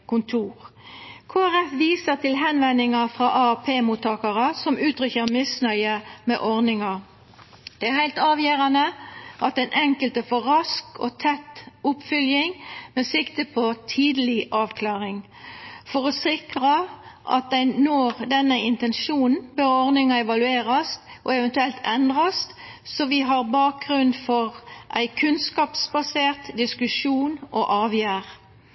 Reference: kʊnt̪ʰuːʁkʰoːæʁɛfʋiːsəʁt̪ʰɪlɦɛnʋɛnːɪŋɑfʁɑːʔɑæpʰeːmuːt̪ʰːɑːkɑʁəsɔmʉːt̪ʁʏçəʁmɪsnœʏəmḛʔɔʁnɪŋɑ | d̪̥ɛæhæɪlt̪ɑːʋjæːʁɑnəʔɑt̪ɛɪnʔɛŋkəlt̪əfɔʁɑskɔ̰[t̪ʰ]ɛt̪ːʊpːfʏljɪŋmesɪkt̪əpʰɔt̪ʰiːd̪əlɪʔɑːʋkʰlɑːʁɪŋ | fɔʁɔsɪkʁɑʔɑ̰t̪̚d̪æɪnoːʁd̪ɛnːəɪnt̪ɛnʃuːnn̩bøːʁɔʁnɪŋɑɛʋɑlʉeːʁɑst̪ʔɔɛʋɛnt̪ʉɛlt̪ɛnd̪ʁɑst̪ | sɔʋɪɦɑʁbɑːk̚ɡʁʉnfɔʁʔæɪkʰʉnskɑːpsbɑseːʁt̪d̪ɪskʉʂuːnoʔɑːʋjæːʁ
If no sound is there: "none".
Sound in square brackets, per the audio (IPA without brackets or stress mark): t̪ʰ